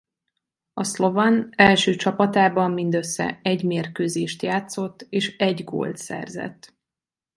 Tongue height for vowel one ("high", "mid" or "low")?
low